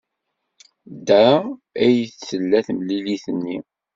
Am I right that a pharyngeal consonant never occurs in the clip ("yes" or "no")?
yes